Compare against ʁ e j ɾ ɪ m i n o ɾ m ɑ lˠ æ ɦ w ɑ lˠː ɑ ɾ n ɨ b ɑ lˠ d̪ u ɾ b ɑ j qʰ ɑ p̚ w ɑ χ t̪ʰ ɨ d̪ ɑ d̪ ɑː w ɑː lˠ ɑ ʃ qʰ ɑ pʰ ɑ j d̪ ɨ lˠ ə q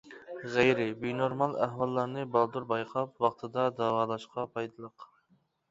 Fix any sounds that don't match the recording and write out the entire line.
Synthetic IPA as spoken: ʁ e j ɾ ɪ b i n o ɾ m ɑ lˠ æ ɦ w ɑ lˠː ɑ ɾ n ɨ b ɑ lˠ d̪ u ɾ b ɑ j qʰ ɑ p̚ w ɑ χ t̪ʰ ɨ d̪ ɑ d̪ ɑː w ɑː lˠ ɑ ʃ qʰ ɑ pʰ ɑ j d̪ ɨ lˠ ə q